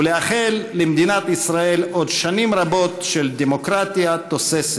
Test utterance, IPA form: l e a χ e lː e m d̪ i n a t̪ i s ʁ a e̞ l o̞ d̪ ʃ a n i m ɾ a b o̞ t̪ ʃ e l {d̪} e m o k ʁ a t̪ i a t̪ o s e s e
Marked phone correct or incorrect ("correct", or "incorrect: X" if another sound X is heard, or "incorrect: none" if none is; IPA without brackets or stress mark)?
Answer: correct